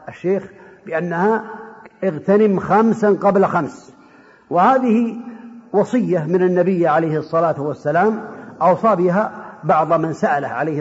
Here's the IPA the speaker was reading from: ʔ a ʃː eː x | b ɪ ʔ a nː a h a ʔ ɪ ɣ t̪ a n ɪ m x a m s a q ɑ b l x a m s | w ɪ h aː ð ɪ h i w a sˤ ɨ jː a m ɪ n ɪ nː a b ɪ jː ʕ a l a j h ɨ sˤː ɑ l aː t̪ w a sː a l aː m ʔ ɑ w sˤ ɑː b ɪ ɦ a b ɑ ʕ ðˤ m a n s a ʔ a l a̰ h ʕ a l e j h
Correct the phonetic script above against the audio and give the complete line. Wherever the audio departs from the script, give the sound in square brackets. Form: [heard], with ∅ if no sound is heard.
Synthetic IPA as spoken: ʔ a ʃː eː x | b ɪ ʔ a nː a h a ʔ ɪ ɣ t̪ a n ɪ m x a m s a q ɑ b l x a m s | w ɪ h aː ð ɪ h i w [ɑ] sˤ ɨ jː a m ɪ n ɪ nː a b ɪ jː ʕ a l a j h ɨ sˤː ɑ l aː t̪ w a sː a l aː m ʔ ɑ w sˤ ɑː b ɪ ɦ a b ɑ ʕ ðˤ m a n s a ʔ a l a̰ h ʕ a l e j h